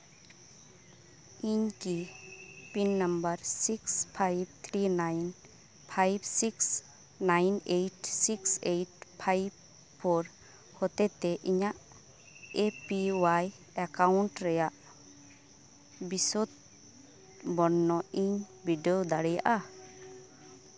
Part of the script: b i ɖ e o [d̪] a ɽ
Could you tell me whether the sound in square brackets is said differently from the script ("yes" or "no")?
no